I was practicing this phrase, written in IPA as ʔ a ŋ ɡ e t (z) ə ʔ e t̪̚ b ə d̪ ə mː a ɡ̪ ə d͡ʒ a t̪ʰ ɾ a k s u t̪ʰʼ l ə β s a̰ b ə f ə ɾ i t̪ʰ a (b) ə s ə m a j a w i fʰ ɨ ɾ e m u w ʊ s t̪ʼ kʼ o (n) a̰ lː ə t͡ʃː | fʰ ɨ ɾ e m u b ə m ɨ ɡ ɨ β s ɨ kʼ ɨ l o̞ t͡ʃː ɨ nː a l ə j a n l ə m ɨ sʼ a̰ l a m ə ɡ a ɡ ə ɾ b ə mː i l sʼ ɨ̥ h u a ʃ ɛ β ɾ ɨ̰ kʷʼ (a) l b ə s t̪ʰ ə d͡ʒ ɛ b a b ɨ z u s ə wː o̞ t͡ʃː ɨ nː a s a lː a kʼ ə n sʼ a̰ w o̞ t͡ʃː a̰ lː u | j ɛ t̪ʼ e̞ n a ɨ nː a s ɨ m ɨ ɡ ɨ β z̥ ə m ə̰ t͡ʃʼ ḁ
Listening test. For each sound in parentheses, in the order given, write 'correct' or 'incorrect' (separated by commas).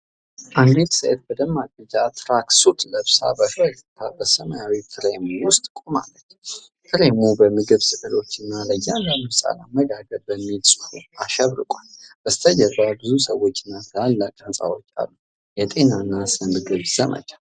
incorrect, correct, incorrect, correct